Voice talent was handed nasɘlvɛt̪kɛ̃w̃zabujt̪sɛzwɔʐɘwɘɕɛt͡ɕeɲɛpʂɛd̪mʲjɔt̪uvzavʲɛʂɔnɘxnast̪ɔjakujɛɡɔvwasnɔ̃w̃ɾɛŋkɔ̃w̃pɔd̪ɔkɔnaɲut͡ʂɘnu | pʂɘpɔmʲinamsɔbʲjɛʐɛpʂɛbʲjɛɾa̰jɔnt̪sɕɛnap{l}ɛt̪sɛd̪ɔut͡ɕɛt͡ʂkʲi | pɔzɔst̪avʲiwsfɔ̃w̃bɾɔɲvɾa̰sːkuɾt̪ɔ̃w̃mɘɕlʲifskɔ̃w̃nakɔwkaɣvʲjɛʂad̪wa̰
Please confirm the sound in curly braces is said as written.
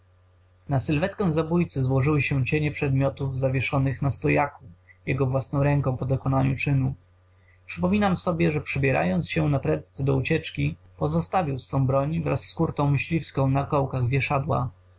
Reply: no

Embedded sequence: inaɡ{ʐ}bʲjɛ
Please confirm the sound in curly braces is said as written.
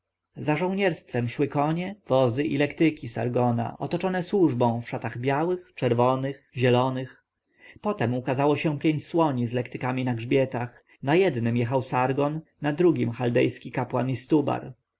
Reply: yes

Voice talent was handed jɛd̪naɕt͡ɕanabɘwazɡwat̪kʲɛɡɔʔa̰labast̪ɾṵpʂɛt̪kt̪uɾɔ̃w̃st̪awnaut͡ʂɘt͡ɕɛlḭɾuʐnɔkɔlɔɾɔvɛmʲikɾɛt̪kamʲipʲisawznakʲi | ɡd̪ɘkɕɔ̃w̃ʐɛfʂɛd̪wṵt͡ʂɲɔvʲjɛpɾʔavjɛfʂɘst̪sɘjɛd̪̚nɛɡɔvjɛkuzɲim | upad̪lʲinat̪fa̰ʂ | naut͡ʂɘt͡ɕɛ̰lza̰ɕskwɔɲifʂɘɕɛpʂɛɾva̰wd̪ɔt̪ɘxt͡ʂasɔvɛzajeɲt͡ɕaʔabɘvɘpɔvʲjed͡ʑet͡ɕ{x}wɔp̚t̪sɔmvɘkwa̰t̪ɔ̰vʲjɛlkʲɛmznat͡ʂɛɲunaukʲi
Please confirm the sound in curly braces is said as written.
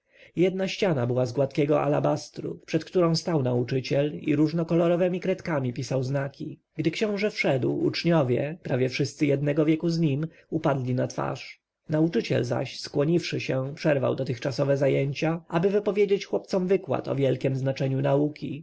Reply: yes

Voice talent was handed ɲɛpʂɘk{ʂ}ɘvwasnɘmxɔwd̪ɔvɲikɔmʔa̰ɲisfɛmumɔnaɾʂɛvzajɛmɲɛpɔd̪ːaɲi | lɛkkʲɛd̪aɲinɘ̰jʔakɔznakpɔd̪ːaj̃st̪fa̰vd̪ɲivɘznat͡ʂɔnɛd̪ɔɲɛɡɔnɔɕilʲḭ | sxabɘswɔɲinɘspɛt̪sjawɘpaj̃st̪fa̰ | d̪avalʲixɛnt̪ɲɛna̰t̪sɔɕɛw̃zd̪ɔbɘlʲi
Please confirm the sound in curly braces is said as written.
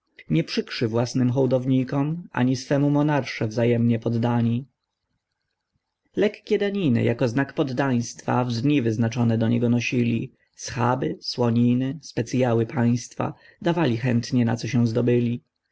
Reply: yes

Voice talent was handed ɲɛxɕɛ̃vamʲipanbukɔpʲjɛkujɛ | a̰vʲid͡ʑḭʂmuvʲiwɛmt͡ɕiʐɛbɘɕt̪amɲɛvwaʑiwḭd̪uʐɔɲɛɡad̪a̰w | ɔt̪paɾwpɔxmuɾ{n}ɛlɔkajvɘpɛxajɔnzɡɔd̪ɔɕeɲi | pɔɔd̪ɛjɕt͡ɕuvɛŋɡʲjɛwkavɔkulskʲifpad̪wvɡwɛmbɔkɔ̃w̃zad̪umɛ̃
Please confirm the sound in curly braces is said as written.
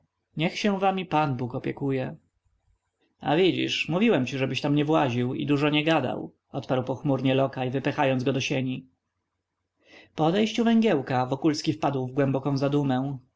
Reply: no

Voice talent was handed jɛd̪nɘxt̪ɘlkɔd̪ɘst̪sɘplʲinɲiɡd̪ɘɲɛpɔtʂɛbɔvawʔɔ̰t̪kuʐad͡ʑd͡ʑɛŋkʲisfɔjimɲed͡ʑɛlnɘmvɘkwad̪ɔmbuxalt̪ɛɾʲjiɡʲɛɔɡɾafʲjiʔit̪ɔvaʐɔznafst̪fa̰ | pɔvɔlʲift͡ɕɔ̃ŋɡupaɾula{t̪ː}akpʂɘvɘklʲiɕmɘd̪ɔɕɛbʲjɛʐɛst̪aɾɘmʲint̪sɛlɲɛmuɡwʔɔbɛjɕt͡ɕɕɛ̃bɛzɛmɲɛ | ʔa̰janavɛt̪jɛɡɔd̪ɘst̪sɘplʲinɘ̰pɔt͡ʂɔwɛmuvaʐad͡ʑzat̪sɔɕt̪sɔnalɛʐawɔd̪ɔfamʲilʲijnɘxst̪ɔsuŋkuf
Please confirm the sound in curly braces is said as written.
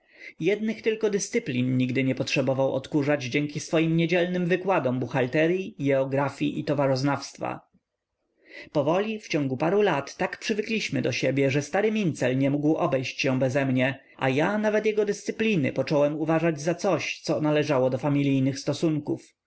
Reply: yes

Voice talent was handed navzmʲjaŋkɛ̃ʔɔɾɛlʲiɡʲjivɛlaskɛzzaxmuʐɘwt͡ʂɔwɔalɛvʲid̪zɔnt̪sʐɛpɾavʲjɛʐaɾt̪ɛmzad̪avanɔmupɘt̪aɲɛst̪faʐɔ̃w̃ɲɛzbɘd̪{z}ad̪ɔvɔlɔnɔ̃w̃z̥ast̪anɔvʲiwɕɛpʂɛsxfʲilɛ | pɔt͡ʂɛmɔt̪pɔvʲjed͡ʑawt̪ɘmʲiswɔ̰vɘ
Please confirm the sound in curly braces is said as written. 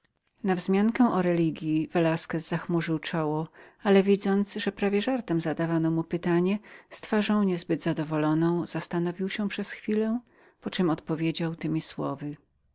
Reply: yes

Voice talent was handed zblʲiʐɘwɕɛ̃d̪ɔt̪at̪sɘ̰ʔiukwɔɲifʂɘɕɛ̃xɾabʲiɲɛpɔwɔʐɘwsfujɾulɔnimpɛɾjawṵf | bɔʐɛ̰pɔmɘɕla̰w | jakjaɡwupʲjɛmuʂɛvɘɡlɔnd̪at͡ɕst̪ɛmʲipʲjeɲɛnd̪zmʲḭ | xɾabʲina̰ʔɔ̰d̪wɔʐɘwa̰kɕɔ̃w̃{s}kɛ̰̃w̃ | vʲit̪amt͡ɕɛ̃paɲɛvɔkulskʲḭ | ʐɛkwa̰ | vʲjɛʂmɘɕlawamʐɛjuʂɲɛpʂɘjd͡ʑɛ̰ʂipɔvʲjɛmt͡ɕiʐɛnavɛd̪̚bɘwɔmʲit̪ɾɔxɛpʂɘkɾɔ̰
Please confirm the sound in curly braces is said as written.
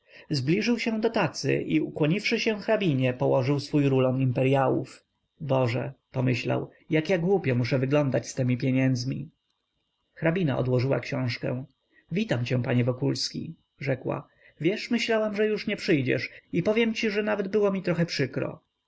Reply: no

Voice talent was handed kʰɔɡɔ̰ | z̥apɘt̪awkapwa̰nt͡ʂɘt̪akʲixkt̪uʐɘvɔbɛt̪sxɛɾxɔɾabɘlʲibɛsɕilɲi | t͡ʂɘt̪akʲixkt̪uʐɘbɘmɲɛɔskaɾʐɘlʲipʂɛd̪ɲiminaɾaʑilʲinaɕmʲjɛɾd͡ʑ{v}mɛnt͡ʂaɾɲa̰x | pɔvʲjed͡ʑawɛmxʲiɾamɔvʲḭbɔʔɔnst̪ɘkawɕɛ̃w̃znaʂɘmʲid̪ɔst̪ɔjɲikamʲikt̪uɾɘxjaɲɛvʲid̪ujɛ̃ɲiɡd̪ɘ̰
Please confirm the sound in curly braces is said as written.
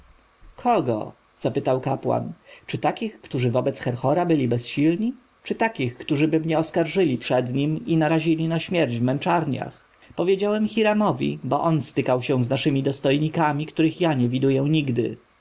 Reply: yes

